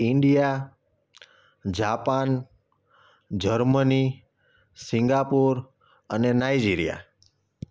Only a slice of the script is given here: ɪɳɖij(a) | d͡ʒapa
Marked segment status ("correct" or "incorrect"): correct